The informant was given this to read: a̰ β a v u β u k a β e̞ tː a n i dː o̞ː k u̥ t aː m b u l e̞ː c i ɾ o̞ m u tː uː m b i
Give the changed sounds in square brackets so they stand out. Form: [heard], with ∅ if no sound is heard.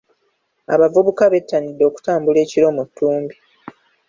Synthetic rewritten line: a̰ β a v u β u k a β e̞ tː a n i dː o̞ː k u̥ t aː m b u l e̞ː c i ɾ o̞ m u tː uː m b i